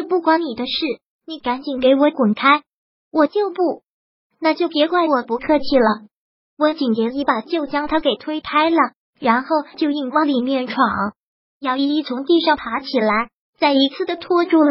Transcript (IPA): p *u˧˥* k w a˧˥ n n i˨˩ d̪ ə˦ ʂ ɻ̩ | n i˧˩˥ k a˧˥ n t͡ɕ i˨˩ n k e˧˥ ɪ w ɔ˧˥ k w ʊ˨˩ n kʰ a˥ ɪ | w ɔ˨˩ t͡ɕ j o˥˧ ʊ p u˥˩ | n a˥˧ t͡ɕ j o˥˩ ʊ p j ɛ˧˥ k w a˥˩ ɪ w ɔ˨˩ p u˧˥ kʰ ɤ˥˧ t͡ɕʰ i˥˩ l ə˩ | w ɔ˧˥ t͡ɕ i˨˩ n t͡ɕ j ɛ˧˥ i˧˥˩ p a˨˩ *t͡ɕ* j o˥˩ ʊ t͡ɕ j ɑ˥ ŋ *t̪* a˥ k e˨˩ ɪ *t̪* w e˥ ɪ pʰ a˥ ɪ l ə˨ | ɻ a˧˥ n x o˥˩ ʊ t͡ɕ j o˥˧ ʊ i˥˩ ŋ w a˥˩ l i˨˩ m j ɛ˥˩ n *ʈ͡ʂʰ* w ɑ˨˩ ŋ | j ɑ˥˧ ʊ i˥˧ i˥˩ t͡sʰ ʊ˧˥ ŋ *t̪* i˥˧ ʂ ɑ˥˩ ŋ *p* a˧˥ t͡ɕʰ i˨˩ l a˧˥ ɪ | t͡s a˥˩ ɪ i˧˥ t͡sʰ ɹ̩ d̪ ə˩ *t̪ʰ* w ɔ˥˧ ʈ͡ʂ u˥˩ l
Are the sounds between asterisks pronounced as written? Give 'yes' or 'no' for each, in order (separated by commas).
no, yes, no, no, yes, yes, no, yes